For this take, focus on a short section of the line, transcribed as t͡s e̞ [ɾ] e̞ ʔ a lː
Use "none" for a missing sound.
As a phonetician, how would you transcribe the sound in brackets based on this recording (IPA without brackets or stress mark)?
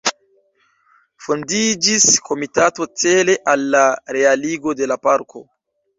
l